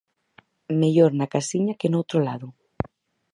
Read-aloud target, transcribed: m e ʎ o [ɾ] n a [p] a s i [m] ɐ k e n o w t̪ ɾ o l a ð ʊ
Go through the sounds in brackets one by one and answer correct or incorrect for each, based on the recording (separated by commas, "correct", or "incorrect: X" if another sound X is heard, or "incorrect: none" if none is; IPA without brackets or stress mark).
correct, incorrect: k, incorrect: ɲ